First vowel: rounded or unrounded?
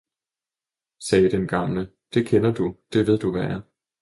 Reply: unrounded